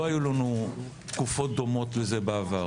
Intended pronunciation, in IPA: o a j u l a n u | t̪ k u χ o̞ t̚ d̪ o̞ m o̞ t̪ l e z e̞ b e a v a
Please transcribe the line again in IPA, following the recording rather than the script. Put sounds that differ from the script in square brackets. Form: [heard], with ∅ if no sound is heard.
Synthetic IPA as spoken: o a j u l a n u | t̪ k u [f] o̞ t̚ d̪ o̞ m o̞ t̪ l e z e̞ b e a v a